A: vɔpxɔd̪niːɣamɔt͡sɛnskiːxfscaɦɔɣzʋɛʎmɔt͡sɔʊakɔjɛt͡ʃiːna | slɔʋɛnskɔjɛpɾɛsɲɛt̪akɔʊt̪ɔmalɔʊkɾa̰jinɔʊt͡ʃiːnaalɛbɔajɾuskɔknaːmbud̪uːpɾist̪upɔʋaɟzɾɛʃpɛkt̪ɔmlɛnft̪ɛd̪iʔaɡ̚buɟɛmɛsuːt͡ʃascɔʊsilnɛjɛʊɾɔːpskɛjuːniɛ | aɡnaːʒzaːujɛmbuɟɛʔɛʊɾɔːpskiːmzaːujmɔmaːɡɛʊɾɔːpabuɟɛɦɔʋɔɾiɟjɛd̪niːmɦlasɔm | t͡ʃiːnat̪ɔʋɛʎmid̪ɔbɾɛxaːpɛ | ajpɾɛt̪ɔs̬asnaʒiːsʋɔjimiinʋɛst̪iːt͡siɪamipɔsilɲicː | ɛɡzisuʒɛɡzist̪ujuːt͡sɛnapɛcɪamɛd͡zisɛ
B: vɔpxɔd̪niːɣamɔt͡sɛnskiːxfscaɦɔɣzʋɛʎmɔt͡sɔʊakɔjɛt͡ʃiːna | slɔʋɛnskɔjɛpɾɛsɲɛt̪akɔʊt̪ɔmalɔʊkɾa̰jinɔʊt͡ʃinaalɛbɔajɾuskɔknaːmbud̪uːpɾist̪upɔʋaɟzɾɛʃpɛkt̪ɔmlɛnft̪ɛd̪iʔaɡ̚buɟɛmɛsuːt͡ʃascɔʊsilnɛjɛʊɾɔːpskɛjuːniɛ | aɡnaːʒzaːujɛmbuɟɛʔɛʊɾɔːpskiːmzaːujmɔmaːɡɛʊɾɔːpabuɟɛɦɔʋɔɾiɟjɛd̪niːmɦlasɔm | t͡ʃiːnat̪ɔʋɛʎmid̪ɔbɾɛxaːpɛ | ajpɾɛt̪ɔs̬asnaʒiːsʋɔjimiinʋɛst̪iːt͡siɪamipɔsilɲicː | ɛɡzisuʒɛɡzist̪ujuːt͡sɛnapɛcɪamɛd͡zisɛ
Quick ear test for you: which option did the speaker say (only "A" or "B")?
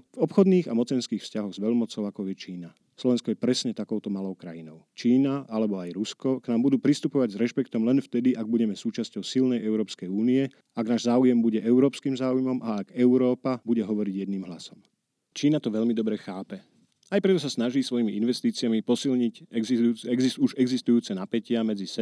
A